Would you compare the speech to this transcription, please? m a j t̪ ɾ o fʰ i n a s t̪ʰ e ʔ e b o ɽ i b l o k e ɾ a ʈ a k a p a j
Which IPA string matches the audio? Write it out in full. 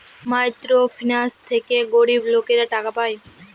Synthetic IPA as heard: m a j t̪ ɾ o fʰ i n a s t̪ʰ e k e ɡ o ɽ i b l o k e ɾ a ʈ a k a p a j